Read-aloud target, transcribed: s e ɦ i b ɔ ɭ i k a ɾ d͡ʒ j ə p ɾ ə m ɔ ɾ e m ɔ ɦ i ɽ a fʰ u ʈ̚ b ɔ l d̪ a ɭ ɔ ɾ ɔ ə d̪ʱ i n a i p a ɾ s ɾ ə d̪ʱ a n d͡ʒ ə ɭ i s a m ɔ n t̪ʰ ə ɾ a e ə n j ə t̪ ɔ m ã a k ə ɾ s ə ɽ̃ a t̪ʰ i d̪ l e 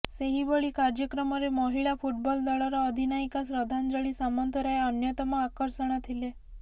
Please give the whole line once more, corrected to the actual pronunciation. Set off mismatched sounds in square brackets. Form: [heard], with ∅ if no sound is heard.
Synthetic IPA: s e ɦ i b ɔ ɭ i k a ɾ d͡ʒ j ə [k] ɾ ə m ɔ ɾ e m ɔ ɦ i [ɭ] a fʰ u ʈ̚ b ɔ l d̪ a ɭ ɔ ɾ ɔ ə d̪ʱ i n a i [k] a [∅] s ɾ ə d̪ʱ a n d͡ʒ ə ɭ i s a m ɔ n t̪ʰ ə ɾ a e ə n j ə t̪ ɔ m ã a k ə ɾ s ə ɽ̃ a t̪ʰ i [∅] l e